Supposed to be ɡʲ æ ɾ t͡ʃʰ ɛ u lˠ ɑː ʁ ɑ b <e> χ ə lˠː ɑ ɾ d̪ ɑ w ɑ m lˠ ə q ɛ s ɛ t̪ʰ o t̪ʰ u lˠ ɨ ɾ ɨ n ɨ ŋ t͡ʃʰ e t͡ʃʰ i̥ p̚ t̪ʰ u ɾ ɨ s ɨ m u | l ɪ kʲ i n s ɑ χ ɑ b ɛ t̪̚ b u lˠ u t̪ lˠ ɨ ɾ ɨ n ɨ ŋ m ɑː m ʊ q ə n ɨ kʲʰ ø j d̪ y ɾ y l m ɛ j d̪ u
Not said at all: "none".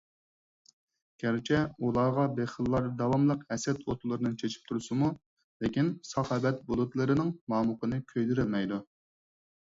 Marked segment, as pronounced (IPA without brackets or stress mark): e